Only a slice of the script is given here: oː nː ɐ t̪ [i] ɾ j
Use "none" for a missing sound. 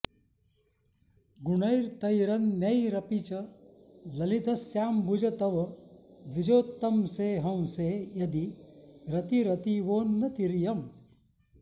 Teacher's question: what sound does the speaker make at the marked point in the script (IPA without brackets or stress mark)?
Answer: i